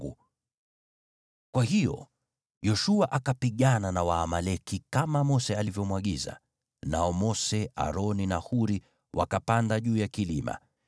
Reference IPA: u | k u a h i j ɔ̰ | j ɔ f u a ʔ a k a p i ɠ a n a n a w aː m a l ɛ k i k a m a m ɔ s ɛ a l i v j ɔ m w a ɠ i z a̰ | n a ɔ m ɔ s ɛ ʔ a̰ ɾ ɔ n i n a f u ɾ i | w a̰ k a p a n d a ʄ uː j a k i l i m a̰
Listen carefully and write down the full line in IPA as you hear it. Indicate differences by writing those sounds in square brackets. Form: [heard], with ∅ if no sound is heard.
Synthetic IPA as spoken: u | k [w] a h i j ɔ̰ | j ɔ [ʃ] u a ʔ a k a p i ɠ a n a n a w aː m a l ɛ k i k a m a m ɔ s ɛ a l i v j ɔ m w a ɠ i z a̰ | n a ɔ m ɔ s ɛ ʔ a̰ ɾ ɔ n i n a [h] u ɾ i | w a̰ k a p a n d a ʄ uː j a k i l i m a̰